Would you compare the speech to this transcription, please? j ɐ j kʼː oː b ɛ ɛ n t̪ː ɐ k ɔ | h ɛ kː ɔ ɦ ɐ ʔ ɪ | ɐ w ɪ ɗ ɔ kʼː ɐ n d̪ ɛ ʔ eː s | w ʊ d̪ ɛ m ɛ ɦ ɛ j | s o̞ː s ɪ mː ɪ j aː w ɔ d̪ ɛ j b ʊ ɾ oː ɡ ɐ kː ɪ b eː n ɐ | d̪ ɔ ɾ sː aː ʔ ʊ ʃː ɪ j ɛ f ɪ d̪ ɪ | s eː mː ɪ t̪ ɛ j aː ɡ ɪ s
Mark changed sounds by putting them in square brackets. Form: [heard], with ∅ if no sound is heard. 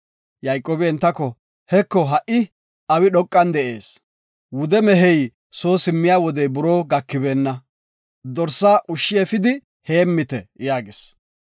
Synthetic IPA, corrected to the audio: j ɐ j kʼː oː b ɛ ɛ n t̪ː ɐ k ɔ | h ɛ kː ɔ ɦ ɐ ʔ ɪ | ɐ w ɪ ɗ ɔ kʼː ɐ n d̪ ɛ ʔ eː s | w ʊ d̪ ɛ m ɛ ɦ ɛ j | s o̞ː s ɪ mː ɪ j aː w ɔ d̪ ɛ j b ʊ ɾ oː ɡ ɐ kː ɪ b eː [nː] ɐ | d̪ ɔ ɾ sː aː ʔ ʊ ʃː ɪ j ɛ f ɪ d̪ ɪ | [h] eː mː ɪ t̪ ɛ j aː ɡ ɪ s